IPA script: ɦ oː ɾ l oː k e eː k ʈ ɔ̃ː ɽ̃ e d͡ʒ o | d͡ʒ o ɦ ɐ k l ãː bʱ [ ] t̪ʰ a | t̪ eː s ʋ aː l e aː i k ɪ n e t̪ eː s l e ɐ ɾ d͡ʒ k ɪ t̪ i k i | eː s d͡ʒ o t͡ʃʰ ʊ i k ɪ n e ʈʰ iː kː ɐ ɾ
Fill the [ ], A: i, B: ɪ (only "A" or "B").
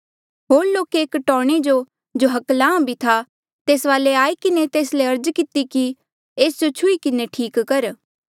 A